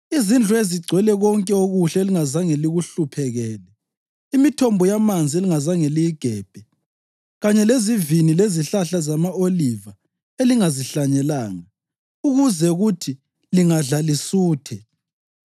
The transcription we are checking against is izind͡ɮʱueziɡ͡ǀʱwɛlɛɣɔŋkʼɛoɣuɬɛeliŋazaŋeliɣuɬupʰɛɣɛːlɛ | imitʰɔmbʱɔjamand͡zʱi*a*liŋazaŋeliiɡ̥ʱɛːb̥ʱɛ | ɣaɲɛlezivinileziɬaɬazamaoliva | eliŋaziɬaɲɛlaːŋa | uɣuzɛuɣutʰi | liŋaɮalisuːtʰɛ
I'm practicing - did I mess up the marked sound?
yes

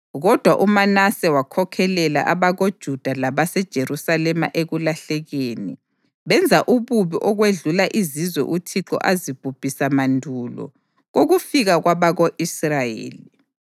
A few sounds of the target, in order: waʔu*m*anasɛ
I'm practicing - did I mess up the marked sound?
no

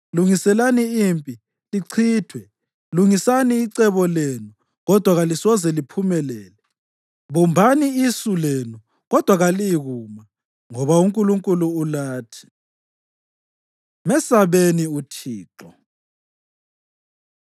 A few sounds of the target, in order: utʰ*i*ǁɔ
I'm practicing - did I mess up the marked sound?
yes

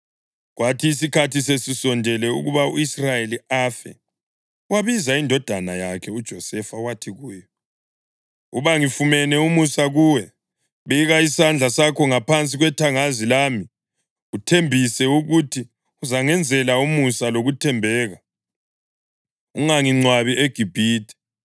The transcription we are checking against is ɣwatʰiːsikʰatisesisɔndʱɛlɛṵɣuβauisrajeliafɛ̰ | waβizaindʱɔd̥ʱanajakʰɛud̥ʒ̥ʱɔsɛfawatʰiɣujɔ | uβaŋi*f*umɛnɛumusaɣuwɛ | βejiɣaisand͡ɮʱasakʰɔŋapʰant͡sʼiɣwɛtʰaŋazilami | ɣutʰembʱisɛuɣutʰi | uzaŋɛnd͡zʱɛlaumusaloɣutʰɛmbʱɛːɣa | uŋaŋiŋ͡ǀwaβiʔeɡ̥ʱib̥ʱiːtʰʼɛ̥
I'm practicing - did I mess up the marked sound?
no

